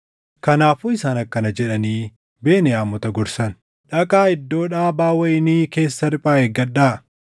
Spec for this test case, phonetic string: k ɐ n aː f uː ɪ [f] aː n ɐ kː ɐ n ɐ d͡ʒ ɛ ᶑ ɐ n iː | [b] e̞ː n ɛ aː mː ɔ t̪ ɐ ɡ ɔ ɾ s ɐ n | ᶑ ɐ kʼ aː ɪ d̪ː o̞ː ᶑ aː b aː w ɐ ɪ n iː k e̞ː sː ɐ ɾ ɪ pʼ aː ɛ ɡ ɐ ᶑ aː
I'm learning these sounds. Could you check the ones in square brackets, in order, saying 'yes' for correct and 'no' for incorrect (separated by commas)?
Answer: no, yes